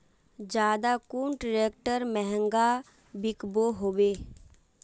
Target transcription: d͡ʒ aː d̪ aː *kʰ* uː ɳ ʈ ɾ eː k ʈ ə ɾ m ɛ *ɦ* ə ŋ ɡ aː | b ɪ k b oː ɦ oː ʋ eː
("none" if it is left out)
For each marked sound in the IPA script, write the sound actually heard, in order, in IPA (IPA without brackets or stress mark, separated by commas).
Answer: k, ɦ